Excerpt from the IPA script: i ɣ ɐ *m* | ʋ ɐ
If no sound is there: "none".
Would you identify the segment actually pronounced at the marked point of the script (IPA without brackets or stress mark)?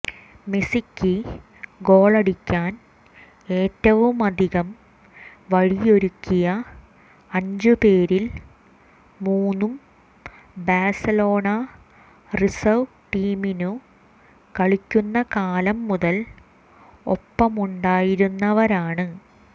m